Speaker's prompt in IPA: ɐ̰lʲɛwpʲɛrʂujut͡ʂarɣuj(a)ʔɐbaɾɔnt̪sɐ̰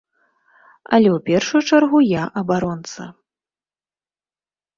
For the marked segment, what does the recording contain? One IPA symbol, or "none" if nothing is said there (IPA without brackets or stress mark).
a